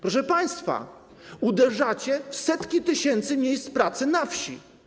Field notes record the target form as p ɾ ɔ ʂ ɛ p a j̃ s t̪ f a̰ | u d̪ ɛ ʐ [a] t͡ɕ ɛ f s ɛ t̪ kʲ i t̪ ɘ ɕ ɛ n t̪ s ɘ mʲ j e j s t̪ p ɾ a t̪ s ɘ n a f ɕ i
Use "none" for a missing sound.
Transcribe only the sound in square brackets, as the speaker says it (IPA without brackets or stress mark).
a